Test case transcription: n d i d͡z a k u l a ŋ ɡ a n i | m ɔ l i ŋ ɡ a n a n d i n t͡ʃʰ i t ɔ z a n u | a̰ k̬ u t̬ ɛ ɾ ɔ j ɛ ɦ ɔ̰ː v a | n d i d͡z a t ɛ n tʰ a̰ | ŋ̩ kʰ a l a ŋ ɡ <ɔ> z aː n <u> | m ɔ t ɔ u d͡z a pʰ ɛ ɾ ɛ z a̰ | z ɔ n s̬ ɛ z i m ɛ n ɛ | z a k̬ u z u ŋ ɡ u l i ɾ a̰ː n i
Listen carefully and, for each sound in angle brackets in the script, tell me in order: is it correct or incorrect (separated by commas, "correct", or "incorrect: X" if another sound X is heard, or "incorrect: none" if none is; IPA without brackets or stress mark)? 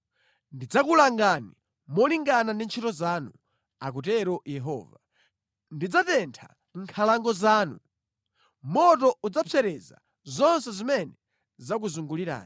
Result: correct, correct